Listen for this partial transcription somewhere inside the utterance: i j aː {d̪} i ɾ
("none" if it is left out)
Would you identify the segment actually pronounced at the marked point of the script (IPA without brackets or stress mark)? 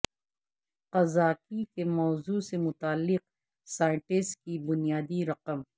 d̪